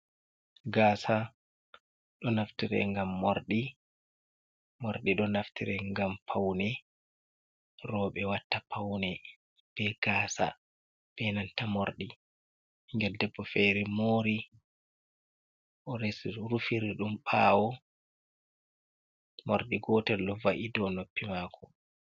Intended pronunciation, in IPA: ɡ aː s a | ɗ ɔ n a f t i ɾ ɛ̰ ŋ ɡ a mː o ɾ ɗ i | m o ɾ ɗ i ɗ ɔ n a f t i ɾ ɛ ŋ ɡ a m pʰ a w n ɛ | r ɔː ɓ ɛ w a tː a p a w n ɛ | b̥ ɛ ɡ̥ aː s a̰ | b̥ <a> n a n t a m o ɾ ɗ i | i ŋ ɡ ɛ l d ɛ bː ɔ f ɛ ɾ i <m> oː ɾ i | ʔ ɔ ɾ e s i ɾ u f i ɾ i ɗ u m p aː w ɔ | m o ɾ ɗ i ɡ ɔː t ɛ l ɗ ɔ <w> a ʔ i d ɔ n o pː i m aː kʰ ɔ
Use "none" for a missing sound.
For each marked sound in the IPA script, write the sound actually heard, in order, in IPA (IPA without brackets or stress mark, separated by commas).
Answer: ɛ, m, v